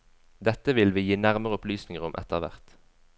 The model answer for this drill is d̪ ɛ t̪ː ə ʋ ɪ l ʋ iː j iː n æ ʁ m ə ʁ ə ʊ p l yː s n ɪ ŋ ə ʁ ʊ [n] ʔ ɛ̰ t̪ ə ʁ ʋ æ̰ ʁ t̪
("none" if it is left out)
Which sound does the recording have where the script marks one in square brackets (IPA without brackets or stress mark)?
m